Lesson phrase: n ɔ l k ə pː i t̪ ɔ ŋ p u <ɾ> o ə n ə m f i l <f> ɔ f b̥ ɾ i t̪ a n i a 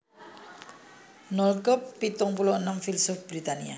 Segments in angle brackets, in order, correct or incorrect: incorrect: l, incorrect: s

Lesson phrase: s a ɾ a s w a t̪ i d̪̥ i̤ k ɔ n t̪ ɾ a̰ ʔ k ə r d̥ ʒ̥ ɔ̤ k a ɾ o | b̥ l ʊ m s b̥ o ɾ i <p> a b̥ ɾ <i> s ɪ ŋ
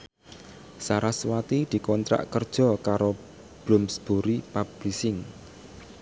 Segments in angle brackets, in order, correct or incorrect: correct, correct

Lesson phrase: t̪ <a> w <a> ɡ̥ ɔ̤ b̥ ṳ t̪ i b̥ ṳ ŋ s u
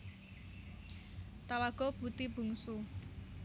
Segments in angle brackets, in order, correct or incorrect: correct, correct

